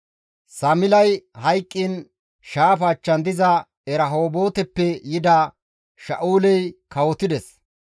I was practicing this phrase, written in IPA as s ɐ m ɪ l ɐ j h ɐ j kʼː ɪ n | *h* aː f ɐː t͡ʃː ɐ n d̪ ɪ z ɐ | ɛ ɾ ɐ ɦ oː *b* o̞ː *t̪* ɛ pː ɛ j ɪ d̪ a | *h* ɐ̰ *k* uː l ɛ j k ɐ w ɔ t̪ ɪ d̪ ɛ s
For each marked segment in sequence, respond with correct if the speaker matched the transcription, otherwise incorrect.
incorrect, correct, correct, incorrect, incorrect

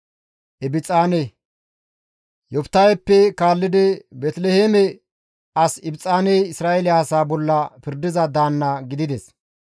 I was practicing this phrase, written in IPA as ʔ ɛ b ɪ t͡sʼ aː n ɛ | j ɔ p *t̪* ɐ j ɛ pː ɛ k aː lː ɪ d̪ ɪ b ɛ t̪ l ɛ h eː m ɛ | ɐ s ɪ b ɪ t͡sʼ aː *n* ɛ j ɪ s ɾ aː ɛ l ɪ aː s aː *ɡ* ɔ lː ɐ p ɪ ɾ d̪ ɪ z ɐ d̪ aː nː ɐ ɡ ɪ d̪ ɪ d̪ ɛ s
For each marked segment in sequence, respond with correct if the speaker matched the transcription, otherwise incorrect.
correct, correct, incorrect

